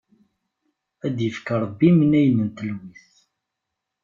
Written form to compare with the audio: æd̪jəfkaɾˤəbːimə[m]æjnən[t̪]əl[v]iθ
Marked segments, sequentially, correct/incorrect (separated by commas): incorrect, correct, incorrect